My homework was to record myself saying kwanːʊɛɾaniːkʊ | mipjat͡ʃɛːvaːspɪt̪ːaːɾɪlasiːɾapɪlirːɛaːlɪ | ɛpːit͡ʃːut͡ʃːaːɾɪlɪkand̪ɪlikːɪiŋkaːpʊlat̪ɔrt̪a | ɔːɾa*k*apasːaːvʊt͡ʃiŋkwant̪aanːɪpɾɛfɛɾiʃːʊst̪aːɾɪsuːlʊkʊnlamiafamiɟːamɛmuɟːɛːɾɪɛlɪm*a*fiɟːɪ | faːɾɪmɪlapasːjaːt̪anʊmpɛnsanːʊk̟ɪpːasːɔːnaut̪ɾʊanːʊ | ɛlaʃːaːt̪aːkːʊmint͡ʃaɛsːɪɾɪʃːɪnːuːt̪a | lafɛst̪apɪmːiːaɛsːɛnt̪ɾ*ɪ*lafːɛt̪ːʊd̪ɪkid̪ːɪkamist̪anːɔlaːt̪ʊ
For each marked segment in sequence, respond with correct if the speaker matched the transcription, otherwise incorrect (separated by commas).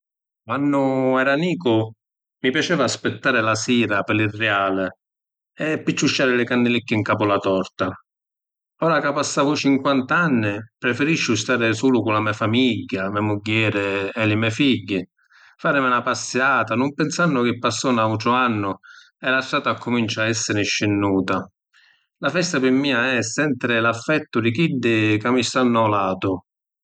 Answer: correct, incorrect, correct